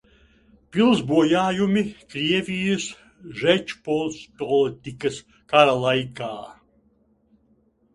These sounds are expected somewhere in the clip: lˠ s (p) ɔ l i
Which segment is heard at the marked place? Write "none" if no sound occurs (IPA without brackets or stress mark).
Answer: p